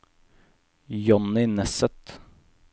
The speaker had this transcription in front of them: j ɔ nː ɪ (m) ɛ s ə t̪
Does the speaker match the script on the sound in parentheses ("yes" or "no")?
no